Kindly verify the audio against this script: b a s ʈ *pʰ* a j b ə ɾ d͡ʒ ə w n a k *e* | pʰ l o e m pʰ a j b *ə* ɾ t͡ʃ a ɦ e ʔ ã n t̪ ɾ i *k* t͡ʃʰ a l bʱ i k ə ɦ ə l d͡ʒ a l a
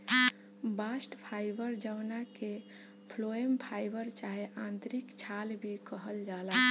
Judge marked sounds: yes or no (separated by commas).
yes, yes, yes, yes